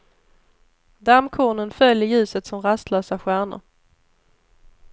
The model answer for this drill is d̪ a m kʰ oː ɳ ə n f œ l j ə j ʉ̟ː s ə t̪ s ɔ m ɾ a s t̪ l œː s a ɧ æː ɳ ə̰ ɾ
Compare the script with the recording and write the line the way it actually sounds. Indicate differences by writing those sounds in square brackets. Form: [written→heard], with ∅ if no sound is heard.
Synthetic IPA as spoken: d̪ a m kʰ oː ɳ ə n f œ l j ə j ʉ̟ː s ə t̪ s ɔ m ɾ a s t̪ l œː s a ɧ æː ɳ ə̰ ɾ